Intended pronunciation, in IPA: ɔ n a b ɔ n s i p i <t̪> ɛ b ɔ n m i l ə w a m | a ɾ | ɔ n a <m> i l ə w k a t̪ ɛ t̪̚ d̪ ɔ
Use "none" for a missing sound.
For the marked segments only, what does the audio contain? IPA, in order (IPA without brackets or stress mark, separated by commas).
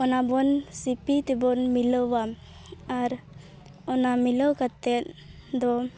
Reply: t̪, m